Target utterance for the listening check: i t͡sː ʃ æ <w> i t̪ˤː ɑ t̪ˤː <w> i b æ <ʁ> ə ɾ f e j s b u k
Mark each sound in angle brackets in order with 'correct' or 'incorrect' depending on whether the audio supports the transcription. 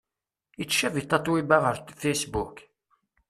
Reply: incorrect: v, correct, correct

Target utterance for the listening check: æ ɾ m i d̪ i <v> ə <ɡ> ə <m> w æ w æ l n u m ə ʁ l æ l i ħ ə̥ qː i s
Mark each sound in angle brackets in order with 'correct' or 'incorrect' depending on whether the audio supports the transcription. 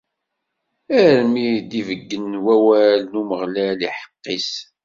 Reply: correct, incorrect: ɡː, incorrect: n

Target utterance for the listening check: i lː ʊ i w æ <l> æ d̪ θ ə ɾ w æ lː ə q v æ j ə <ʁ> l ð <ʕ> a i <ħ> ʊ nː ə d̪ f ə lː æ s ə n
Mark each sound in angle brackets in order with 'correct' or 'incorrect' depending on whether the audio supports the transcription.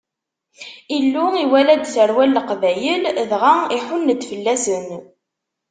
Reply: correct, incorrect: none, incorrect: ʁ, correct

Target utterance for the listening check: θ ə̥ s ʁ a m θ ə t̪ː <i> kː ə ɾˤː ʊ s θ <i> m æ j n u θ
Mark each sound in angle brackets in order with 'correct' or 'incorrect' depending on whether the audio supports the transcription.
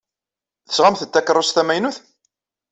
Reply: incorrect: æ, incorrect: æ

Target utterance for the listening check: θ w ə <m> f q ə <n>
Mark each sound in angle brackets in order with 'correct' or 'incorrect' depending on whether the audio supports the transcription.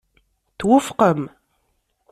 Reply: incorrect: none, incorrect: m

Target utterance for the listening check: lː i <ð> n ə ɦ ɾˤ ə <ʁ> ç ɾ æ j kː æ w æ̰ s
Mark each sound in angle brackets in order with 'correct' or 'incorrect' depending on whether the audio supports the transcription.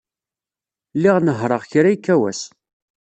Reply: incorrect: ʁ, correct

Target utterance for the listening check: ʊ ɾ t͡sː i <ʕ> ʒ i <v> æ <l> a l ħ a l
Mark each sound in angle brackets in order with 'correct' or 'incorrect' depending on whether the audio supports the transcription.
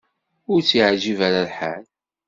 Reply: correct, correct, incorrect: ɾ

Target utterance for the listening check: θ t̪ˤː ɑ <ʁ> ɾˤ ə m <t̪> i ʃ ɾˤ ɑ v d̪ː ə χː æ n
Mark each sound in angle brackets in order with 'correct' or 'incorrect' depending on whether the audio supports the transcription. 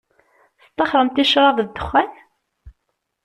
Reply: incorrect: χ, correct

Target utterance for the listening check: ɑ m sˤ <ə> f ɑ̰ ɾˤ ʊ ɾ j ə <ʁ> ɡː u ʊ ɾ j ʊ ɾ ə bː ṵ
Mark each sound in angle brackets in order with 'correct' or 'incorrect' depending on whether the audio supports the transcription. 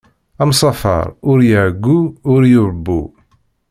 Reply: incorrect: ɑ, incorrect: ʕ

